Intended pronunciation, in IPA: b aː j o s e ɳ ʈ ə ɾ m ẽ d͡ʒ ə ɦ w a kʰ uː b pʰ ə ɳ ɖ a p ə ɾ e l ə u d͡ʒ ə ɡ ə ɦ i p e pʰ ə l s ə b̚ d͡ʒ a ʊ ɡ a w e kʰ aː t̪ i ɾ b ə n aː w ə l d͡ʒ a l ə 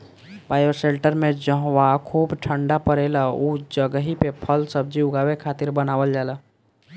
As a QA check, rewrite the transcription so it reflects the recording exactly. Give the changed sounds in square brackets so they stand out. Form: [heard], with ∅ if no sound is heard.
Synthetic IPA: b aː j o s e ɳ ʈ ə ɾ m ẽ d͡ʒ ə ɦ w a kʰ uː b [ʈʰ] ə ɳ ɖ a p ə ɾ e l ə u d͡ʒ ə ɡ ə ɦ i p e pʰ ə l s ə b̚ d͡ʒ [i] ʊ ɡ a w e kʰ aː t̪ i ɾ b ə n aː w ə l d͡ʒ a l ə